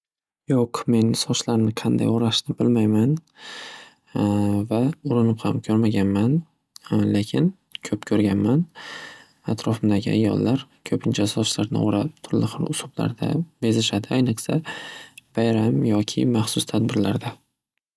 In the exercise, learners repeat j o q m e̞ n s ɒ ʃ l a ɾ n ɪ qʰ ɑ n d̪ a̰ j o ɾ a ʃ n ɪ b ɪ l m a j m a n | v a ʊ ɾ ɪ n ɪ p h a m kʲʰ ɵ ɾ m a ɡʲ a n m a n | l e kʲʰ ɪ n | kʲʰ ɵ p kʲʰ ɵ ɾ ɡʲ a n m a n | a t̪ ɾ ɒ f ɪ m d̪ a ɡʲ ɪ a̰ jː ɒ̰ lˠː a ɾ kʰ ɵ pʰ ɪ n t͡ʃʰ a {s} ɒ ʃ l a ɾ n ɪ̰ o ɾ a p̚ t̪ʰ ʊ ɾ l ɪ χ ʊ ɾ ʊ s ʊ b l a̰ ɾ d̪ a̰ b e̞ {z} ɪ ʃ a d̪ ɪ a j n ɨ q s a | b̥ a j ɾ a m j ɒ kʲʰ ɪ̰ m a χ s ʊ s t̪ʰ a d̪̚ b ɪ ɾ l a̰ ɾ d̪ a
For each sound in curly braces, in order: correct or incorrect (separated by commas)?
correct, correct